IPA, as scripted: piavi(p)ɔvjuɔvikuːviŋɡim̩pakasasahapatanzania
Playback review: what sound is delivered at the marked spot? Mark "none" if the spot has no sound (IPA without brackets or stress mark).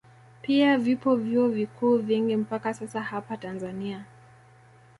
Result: p